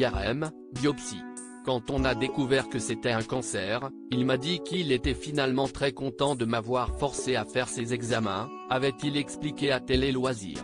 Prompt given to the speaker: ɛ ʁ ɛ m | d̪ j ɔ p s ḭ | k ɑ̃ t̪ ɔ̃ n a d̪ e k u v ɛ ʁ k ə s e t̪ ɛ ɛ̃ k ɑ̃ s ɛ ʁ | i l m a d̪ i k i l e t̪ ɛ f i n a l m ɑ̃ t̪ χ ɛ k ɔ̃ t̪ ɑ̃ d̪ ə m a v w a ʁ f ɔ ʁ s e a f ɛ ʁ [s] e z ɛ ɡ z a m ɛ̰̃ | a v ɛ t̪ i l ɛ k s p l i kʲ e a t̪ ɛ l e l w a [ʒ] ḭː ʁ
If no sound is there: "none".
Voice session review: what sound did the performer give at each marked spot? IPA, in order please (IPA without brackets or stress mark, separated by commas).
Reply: s, z